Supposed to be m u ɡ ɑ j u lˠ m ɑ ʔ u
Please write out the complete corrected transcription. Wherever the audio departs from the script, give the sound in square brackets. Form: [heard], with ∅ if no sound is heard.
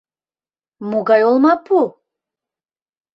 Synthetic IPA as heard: m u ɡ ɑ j [o] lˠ m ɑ [p] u